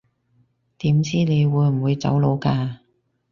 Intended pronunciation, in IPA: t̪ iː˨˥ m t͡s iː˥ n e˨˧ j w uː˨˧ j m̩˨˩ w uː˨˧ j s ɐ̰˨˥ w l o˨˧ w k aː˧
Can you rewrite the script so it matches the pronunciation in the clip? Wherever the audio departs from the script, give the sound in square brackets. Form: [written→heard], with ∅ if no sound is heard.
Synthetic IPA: t̪ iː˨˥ m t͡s iː˥ n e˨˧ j w uː˨˧ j m̩˨˩ w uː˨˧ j [s→t͡s] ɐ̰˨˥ w l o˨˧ w k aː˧